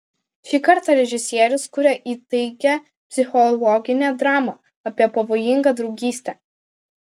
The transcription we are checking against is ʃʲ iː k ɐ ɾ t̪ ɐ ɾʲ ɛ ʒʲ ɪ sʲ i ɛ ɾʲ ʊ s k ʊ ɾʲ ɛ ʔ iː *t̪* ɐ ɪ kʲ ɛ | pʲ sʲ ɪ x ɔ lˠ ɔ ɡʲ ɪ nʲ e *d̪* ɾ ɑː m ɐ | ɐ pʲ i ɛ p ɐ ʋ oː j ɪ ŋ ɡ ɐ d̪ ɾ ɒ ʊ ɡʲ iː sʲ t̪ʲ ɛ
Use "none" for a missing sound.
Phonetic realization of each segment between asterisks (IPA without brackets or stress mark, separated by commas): t̪, d̪